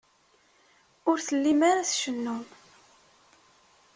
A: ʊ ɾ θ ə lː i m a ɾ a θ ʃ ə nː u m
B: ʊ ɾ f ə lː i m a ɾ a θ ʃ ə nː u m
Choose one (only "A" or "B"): A